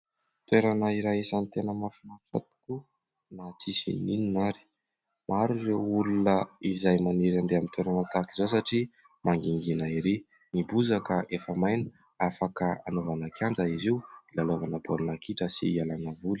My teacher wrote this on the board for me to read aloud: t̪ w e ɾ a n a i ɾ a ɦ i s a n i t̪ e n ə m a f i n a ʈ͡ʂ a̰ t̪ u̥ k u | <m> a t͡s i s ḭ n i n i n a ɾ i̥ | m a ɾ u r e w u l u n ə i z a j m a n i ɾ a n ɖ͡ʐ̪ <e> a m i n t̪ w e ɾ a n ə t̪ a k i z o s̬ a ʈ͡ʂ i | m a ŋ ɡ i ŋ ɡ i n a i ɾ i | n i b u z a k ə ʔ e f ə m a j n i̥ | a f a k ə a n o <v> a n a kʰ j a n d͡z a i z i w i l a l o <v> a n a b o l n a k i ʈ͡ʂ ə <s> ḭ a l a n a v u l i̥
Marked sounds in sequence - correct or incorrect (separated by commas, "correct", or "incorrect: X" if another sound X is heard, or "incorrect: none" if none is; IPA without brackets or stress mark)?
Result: incorrect: n, correct, correct, correct, correct